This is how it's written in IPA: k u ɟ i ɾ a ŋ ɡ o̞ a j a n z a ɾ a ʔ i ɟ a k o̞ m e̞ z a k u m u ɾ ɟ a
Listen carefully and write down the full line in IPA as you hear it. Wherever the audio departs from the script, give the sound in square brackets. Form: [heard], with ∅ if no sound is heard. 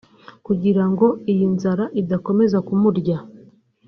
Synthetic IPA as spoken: k u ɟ i ɾ a ŋ ɡ o̞ [i] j [i] n z a ɾ a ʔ i [d] a k o̞ m e̞ z a k u m u ɾ ɟ a